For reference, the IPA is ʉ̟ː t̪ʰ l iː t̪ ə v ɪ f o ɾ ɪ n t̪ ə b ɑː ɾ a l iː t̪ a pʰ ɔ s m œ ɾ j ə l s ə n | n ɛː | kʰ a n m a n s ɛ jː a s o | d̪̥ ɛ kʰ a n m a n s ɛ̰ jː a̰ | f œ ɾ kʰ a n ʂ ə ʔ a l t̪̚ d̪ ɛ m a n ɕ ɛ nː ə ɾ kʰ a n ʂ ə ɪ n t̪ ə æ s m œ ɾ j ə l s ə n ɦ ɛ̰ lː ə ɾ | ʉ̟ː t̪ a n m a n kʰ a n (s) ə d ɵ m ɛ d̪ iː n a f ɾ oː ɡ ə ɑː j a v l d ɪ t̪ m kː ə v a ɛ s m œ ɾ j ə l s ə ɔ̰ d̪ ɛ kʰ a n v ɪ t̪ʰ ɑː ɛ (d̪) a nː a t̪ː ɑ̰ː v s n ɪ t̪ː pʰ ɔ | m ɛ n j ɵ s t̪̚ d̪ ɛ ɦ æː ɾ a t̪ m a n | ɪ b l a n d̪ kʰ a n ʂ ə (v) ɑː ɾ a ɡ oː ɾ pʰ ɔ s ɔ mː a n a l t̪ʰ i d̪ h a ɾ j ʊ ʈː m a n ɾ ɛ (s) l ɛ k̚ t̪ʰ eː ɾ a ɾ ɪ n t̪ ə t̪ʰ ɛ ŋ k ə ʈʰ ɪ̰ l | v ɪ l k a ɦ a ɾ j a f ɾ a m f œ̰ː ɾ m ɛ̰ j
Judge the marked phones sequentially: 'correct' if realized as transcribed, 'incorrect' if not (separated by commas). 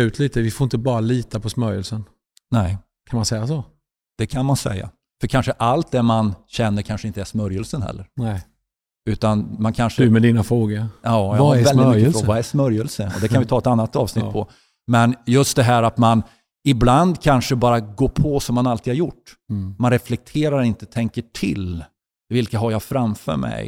incorrect, incorrect, incorrect, incorrect